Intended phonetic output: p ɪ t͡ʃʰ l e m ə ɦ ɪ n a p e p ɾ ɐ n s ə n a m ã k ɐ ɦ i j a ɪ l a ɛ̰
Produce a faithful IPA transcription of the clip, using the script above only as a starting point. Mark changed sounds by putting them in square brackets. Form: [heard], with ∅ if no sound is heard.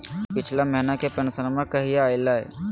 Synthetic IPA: p ɪ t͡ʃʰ l [a] m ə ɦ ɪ n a [k] e p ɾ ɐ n s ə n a m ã k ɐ ɦ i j a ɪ l a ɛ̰